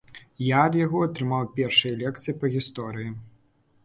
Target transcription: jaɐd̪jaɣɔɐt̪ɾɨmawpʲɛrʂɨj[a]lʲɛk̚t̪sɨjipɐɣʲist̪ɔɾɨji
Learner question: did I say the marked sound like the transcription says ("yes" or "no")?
no